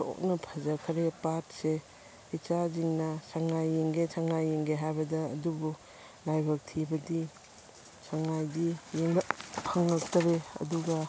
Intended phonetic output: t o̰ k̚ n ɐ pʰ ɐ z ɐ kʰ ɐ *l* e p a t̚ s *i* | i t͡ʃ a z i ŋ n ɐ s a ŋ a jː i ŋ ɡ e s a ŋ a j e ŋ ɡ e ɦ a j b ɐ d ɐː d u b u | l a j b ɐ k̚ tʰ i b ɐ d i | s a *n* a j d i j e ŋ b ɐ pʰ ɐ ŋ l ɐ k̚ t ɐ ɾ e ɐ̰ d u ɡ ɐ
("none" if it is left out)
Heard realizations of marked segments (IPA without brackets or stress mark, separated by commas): ɾ, e, ŋ